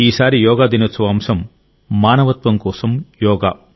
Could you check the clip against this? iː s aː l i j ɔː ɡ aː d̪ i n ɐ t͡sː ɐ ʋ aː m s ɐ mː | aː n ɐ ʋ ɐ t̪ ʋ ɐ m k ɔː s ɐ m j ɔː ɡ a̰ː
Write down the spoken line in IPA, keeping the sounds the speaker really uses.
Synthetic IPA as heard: iː s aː ɾ i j ɔː ɡ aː d̪ i n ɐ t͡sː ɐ ʋ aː m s ɐ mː | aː n ɐ ʋ ɐ t̪ ʋ ɐ m k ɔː s ɐ m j ɔː ɡ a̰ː